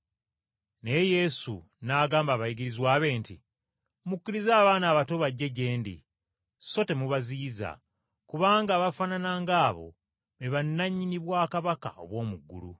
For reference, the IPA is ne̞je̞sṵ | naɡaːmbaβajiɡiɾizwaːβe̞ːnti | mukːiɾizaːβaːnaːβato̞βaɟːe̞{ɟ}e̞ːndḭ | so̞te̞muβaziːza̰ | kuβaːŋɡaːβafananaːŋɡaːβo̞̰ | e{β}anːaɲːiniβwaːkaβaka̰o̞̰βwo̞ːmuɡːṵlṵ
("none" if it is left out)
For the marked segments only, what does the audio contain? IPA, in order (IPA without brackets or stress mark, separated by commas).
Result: ɟ, β